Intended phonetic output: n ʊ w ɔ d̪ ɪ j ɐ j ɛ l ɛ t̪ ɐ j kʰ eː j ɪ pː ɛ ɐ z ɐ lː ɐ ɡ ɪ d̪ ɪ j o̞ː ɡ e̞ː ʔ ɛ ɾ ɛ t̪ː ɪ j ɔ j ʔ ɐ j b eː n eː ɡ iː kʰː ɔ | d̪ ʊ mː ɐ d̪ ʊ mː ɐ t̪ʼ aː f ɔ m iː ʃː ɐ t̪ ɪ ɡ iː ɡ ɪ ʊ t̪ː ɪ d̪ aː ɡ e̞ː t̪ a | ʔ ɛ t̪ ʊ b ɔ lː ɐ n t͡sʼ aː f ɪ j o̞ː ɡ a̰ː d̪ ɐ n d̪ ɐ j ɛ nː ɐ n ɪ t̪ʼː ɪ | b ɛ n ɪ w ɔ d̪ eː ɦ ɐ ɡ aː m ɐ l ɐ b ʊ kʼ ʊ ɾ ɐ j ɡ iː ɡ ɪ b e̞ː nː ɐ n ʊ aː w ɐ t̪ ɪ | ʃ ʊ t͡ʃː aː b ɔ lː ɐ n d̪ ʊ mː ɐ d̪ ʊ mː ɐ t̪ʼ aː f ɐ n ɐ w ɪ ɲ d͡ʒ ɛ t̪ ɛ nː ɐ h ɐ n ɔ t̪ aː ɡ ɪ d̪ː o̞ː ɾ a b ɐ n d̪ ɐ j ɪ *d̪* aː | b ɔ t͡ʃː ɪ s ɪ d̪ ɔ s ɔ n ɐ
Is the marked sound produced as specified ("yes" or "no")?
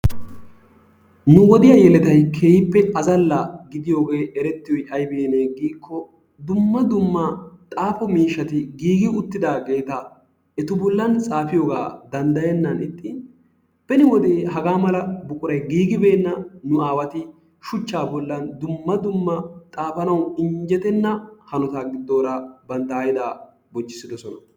yes